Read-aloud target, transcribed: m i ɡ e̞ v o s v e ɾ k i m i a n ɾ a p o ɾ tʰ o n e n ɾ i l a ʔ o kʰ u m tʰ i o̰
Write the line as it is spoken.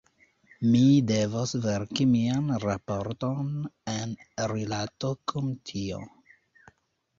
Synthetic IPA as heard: m i d e̞ v o s v e ɾ k i m i a n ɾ a p o ɾ t o n e n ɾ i l a t o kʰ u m tʰ i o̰